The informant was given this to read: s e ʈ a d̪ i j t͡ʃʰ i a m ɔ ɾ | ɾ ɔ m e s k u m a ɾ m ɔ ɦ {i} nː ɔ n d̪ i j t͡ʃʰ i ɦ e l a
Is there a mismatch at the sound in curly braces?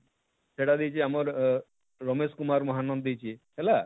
yes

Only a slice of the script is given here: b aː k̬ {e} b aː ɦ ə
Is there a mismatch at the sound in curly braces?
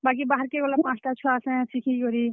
yes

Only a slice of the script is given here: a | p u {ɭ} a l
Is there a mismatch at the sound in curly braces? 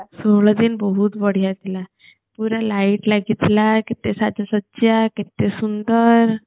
yes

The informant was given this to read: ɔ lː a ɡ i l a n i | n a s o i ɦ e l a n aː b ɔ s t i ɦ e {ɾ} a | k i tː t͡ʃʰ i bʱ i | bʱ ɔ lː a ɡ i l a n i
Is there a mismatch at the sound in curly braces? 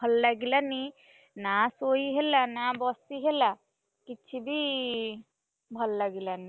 yes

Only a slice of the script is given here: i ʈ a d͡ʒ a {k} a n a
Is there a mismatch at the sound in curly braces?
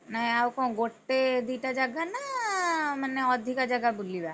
yes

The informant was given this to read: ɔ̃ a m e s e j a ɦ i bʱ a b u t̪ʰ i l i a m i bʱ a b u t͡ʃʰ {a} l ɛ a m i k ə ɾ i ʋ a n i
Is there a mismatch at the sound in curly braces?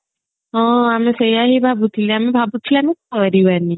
yes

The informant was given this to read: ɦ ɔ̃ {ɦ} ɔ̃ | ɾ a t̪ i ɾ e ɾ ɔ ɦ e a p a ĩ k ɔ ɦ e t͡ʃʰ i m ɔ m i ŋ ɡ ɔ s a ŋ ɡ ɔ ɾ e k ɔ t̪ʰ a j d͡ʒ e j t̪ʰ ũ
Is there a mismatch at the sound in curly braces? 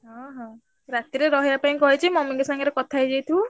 no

